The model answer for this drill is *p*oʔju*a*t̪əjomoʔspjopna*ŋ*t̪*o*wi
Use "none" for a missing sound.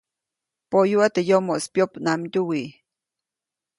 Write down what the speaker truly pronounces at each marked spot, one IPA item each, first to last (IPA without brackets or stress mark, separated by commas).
p, a, m, u